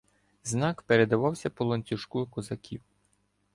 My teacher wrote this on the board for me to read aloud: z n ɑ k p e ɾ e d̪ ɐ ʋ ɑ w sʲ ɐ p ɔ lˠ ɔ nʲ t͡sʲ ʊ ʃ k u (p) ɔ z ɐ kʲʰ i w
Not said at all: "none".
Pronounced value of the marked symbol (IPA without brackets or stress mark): k